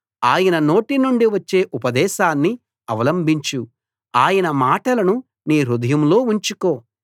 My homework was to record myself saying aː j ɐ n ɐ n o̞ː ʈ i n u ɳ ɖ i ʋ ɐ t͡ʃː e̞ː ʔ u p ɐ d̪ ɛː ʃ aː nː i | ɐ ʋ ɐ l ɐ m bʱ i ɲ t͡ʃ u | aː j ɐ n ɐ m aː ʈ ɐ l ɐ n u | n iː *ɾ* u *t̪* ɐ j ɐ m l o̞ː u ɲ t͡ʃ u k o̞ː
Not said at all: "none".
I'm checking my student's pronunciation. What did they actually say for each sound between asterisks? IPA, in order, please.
ɾ, d̪

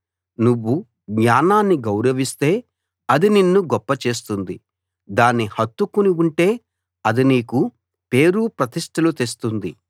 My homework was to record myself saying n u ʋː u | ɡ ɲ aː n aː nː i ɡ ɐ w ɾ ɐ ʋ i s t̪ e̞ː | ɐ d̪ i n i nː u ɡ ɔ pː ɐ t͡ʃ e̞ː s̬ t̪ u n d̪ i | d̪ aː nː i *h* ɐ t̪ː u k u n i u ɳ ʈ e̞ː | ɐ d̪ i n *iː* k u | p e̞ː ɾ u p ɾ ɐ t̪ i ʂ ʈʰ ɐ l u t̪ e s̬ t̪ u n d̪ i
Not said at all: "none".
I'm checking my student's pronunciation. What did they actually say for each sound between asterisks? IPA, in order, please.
h, iː

